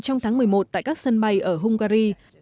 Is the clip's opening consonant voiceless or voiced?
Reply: voiceless